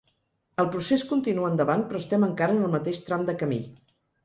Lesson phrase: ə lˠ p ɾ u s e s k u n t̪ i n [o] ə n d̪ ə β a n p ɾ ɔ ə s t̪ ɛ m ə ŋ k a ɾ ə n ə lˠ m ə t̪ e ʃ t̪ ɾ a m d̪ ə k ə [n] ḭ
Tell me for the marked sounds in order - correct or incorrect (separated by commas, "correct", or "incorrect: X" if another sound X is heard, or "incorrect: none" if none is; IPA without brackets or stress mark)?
incorrect: u, incorrect: m